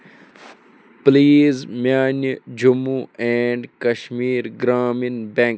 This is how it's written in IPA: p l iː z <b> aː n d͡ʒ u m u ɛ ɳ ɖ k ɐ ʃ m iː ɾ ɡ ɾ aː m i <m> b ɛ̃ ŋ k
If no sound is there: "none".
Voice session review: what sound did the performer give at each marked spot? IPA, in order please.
m, n

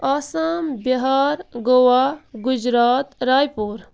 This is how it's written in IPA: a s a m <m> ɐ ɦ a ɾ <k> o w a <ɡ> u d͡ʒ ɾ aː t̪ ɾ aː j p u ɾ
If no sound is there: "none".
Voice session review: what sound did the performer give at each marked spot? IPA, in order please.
b, ɡ, ɡ

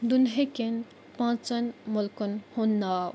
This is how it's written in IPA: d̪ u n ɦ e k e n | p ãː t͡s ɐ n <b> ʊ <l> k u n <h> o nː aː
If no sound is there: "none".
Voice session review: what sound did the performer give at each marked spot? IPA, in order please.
m, l, h

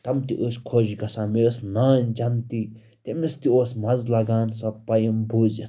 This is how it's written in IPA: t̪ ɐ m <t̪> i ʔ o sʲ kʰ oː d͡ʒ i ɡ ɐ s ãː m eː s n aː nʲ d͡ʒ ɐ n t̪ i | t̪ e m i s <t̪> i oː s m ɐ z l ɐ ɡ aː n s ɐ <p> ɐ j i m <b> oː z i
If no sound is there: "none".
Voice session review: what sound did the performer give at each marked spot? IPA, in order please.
t̪, t̪, p, b

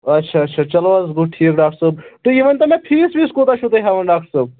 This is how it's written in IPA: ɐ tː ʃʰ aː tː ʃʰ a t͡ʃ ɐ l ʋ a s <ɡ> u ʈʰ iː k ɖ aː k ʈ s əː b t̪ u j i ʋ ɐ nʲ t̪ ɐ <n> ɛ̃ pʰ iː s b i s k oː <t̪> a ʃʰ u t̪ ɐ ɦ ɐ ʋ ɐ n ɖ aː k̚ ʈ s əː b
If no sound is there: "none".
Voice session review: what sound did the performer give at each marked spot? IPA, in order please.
ɡ, m, t̪

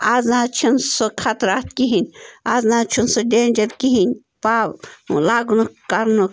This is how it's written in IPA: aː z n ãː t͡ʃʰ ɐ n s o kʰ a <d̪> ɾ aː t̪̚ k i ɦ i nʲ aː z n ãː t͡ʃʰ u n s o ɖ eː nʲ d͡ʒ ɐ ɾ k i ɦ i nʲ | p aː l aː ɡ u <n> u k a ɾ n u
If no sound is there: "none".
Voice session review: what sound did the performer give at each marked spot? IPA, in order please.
t̪, n

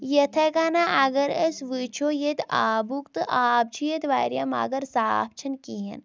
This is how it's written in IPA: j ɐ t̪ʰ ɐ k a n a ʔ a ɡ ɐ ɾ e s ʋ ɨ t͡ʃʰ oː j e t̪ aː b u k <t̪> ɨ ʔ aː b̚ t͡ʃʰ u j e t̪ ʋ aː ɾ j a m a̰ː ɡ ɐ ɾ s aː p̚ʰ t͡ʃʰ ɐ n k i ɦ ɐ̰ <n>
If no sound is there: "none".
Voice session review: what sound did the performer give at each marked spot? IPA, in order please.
t̪, n

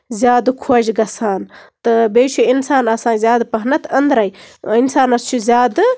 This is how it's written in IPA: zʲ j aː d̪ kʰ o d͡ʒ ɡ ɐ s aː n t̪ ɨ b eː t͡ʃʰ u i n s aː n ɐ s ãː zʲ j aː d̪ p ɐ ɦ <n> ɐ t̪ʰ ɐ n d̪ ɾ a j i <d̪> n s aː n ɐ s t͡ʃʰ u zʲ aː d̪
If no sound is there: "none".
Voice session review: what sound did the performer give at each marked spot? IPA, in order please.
n, none

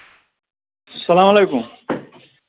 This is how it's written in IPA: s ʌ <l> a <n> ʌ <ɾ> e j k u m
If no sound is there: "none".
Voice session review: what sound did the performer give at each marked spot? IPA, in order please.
l, m, l

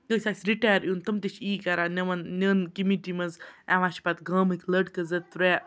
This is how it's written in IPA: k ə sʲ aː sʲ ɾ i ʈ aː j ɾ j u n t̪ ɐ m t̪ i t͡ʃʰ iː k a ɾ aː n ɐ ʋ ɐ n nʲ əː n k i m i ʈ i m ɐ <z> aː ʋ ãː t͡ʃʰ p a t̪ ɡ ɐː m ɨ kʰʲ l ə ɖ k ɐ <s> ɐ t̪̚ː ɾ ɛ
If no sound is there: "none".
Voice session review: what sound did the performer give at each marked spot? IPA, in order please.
z, z

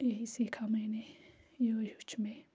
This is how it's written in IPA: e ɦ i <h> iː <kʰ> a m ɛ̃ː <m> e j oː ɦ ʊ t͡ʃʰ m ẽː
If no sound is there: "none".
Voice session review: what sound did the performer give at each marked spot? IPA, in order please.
s, kʰ, n

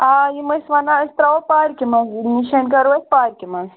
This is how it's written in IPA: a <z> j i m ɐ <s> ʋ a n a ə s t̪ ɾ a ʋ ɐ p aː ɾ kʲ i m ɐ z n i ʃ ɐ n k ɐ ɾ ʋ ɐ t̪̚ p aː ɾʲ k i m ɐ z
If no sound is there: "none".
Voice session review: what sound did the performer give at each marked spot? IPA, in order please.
none, s

